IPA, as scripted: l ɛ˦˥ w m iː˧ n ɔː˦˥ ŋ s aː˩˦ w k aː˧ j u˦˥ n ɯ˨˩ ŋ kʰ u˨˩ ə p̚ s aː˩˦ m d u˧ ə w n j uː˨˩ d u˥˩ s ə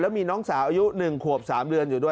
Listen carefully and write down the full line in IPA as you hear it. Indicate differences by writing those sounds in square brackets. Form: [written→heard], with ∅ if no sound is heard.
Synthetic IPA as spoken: l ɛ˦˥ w m iː˧ n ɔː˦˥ ŋ s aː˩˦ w [k→ʔ] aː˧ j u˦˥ n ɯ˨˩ ŋ kʰ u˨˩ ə p̚ s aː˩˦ m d [u˧→ɯ˧] ə [w→∅] n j uː˨˩ d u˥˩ [s→∅] ə